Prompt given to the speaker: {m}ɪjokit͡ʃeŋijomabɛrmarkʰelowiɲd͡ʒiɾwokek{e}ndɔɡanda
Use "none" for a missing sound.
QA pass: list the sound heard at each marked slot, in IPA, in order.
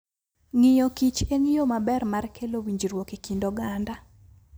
ŋ, i

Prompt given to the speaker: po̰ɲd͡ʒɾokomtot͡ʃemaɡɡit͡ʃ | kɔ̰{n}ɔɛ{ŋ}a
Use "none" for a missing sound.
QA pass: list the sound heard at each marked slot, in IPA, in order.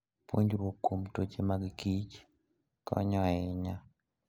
ɲ, ɲ

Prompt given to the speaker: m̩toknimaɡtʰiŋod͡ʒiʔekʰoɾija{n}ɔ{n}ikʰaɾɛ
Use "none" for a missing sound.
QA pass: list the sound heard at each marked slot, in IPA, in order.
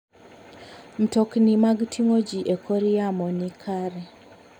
m, n

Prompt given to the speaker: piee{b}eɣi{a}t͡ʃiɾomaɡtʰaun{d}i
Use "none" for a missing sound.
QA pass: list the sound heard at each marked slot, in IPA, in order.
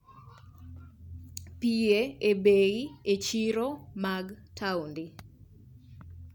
b, e, d

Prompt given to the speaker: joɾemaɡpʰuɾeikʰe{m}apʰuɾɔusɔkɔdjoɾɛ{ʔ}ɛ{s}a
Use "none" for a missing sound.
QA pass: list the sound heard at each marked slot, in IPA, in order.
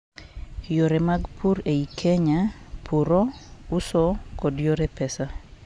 ɲ, p, s

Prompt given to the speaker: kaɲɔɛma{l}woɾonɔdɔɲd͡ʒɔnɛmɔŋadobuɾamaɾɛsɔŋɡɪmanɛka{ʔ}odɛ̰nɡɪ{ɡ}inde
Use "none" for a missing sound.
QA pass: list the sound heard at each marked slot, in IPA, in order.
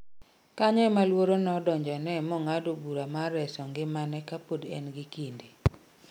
l, p, k

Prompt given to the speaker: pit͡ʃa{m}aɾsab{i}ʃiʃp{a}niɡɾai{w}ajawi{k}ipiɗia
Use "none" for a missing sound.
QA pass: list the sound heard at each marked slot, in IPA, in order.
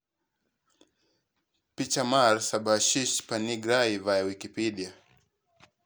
m, a, a, v, k

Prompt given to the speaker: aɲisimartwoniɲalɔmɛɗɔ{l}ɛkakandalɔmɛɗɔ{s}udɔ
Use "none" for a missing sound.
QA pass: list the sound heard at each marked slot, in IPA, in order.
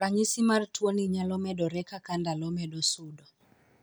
ɾ, s

